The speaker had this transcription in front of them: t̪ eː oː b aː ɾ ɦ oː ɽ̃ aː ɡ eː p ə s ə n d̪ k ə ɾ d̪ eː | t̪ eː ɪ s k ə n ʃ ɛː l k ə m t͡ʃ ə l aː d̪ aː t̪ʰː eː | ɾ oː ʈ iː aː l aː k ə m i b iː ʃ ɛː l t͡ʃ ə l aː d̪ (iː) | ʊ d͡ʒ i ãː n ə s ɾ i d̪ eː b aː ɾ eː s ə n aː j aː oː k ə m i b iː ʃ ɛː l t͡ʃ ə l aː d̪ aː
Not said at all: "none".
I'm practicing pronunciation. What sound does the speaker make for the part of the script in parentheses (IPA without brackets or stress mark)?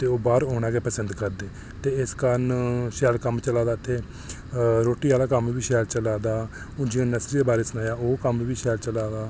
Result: aː